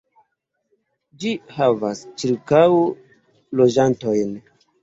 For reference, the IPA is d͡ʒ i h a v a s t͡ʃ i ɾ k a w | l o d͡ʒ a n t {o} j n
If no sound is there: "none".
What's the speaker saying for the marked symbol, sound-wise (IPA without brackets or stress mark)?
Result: o